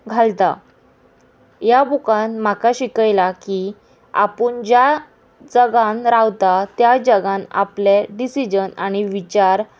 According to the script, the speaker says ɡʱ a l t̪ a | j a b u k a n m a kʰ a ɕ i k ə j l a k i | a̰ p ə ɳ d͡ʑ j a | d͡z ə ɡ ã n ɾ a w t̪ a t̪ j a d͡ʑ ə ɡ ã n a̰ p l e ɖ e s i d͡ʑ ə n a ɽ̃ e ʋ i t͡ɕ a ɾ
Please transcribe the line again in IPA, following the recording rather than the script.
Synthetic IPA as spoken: ɡʱ a l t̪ a | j a b u k a n m a k a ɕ i k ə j l a k i | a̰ p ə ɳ d͡ʑ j a | d͡z ə ɡ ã n ɾ a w t̪ a t̪ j a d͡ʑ ə ɡ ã n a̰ p l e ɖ i s i d͡ʑ ə n a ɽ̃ i ʋ i t͡ɕ a ɾ